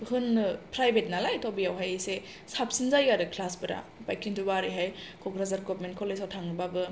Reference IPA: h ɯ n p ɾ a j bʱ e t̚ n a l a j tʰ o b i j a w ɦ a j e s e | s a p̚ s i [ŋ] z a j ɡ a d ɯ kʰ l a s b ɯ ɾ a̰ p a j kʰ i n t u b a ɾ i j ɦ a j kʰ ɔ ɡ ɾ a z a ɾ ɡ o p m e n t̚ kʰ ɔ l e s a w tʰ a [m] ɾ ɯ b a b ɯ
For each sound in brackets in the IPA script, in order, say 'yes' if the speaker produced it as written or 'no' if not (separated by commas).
no, no